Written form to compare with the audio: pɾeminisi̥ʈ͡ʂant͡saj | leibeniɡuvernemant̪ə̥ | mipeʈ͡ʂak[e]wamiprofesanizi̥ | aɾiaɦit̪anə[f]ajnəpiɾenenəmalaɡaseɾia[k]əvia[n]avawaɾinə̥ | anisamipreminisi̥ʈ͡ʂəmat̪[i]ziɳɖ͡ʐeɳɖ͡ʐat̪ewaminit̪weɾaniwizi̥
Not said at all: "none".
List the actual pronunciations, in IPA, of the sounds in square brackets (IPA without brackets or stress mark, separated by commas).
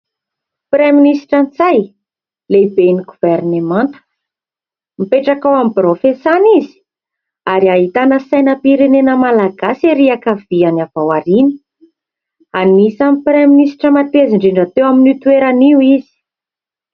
a, s, k, n, e